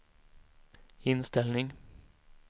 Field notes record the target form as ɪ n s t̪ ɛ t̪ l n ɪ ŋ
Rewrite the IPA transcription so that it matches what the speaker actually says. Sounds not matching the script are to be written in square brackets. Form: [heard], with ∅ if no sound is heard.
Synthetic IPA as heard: ɪ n s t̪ ɛ [∅] l n ɪ ŋ